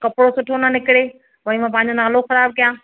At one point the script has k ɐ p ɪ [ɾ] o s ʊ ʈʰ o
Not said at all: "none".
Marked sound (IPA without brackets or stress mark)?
ɽ